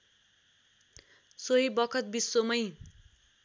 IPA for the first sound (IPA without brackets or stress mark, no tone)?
s